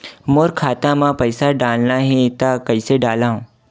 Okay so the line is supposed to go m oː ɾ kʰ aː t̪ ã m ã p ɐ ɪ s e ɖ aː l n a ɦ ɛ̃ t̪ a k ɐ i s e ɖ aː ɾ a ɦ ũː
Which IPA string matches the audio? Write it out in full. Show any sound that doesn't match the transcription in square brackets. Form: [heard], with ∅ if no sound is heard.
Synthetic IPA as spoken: m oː ɾ kʰ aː t̪ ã m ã p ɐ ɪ s [a] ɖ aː l n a ɦ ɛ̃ t̪ a k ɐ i s e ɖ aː [l] a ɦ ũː